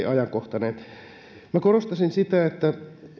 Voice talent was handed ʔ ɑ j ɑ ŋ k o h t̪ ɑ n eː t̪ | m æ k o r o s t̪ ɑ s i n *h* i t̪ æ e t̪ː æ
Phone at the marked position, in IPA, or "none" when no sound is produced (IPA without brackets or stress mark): s